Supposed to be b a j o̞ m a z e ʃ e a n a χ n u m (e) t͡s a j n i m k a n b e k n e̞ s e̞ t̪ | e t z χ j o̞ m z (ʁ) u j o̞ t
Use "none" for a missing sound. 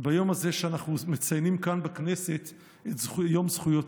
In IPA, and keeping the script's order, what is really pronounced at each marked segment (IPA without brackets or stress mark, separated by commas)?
e, χ